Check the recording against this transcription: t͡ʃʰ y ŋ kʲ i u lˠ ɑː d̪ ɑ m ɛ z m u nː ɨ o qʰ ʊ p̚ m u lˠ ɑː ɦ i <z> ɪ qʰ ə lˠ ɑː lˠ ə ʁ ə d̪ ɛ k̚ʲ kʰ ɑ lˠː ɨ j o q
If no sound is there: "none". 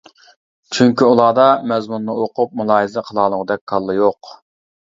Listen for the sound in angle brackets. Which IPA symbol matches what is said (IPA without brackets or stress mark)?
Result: z